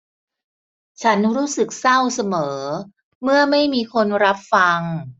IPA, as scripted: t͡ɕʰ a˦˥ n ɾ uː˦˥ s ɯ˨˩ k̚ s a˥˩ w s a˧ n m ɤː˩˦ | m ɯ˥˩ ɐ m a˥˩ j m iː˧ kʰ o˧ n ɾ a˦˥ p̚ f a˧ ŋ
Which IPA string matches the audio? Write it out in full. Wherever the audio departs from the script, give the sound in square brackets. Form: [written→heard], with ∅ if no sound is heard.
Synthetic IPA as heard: t͡ɕʰ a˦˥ n ɾ uː˦˥ s ɯ˨˩ k̚ s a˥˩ w s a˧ [n→∅] m ɤː˩˦ | m ɯ˥˩ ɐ m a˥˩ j m iː˧ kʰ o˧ n ɾ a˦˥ p̚ f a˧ ŋ